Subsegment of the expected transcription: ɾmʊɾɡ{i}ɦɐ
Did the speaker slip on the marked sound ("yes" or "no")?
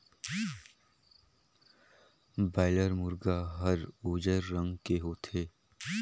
yes